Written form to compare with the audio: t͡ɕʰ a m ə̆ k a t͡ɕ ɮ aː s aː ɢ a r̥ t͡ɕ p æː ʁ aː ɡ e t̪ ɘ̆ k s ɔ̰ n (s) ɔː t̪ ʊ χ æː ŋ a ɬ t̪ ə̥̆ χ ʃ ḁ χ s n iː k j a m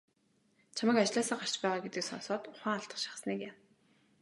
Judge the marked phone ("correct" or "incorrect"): correct